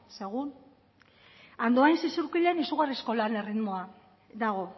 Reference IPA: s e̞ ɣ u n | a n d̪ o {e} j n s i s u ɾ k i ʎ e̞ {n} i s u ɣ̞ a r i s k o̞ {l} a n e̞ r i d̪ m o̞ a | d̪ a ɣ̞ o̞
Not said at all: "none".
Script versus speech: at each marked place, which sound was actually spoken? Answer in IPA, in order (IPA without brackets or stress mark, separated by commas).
a, n, l